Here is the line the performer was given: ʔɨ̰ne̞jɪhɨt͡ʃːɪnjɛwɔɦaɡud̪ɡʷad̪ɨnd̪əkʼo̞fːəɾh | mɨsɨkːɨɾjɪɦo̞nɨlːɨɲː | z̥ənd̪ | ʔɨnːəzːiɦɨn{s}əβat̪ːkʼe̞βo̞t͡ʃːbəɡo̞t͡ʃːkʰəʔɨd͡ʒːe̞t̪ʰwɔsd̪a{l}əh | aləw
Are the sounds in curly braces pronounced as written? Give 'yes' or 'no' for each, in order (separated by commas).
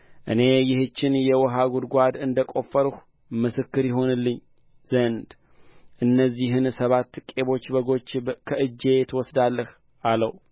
yes, no